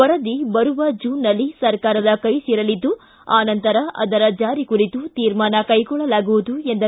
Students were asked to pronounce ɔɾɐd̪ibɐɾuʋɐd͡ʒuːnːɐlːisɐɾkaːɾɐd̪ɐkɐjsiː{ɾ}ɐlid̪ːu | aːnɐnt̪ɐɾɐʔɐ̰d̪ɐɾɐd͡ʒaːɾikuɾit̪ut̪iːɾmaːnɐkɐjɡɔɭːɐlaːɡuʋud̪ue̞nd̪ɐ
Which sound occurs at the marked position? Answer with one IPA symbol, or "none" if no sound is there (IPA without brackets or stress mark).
ɾ